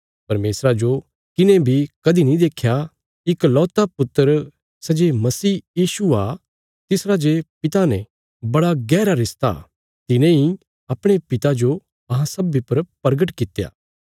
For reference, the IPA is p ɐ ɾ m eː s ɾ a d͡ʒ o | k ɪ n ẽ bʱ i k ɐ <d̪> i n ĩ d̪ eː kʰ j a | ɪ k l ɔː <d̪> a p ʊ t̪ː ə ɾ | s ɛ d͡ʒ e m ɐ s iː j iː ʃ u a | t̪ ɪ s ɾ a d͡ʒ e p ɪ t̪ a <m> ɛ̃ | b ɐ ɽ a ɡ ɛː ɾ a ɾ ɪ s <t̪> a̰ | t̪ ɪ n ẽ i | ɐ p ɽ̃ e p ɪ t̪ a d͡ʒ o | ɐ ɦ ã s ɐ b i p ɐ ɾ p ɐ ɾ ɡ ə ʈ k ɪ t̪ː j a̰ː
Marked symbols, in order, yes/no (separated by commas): yes, no, no, yes